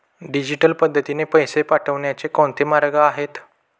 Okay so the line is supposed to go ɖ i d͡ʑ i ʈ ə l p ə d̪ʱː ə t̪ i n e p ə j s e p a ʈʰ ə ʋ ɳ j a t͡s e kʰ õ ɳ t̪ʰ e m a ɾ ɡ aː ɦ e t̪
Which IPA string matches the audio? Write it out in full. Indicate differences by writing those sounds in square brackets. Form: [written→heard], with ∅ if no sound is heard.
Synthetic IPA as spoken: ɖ i d͡ʑ i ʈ ə l p ə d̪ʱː ə t̪ i n e p ə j s e p a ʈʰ ə ʋ ɳ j a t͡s e [kʰ→k] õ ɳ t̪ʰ e m a ɾ ɡ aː ɦ e t̪